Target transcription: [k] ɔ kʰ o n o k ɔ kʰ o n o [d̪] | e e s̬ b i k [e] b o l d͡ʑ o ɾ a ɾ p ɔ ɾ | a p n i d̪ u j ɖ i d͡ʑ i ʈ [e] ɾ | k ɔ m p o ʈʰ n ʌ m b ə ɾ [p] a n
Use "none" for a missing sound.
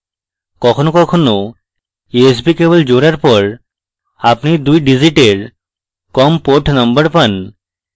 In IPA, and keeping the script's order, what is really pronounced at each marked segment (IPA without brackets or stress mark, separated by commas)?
k, none, e, e, p